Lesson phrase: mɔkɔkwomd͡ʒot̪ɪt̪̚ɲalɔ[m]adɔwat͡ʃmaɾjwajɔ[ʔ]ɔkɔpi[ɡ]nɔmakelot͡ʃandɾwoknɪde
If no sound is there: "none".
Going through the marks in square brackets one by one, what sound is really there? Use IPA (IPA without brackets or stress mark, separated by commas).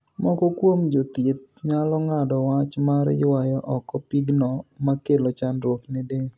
ŋ, ʔ, ɡ